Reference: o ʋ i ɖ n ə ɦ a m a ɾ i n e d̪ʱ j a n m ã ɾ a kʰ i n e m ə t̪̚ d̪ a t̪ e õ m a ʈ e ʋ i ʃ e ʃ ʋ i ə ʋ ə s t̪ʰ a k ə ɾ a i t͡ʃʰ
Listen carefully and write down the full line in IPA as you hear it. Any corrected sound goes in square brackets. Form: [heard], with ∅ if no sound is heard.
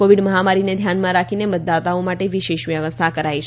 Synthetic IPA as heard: o ʋ i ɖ [m] ə ɦ a m a ɾ i n e d̪ʱ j a n m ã ɾ a kʰ i n e m ə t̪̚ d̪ a t̪ [a] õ m a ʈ e ʋ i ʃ e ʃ ʋ [j] ə ʋ ə s t̪ʰ a k ə ɾ a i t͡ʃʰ